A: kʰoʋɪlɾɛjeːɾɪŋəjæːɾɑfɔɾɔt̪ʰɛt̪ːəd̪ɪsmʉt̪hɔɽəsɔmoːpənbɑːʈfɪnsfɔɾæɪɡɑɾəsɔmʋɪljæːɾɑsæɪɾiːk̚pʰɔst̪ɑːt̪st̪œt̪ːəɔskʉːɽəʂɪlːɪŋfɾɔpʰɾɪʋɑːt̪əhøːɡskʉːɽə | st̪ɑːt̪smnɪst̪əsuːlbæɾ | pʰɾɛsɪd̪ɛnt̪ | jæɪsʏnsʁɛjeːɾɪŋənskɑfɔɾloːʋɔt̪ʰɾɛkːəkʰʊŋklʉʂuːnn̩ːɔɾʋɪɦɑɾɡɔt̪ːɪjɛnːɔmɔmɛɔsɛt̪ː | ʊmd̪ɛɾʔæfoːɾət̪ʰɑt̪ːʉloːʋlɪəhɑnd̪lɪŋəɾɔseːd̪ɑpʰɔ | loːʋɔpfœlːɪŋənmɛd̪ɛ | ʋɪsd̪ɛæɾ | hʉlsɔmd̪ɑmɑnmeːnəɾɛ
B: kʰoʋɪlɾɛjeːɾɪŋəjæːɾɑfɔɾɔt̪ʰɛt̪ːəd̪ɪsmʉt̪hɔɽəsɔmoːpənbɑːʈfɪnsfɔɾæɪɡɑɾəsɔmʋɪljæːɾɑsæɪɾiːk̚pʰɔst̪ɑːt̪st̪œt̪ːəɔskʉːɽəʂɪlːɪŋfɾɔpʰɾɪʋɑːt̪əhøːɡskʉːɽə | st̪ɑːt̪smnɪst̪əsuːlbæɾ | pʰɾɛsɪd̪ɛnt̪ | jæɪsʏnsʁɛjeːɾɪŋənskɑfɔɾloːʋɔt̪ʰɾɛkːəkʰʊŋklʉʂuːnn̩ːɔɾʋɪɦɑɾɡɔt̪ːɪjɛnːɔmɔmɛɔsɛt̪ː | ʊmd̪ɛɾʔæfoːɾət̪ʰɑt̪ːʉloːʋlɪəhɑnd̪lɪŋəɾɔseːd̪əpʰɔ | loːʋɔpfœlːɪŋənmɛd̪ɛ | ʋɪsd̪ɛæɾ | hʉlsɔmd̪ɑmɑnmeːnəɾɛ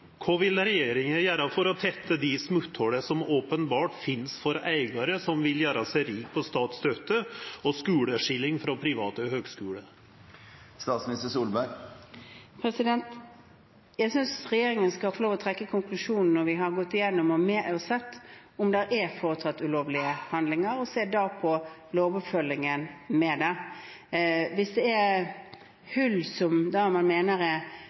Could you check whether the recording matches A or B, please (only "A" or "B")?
A